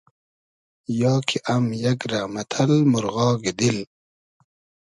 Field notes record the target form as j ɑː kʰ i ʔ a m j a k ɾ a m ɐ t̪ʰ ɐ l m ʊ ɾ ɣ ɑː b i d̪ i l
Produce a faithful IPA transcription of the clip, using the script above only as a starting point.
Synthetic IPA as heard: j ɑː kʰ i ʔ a m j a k ɾ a m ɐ t̪ʰ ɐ l m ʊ ɾ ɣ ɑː ɡ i d̪ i l